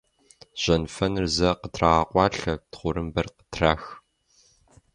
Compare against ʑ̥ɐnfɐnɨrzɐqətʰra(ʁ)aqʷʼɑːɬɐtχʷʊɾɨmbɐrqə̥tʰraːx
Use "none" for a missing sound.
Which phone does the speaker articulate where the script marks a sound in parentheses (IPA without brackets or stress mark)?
ʁ